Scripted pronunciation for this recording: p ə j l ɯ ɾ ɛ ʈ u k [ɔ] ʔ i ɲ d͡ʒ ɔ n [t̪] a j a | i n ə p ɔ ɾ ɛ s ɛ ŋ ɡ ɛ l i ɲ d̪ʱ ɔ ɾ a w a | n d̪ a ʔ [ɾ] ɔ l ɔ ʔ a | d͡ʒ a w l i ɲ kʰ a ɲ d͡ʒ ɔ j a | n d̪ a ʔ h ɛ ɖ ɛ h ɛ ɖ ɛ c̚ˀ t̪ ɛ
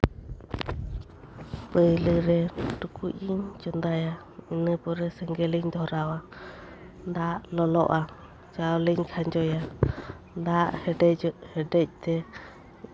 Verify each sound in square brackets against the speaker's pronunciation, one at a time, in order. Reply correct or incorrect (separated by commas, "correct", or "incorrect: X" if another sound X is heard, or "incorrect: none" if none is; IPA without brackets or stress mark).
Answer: incorrect: u, incorrect: d̪, incorrect: l